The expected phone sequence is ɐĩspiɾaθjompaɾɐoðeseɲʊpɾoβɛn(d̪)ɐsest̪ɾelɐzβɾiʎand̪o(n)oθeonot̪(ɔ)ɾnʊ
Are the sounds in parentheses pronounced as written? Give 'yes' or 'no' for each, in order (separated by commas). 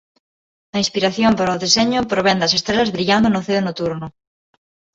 yes, yes, no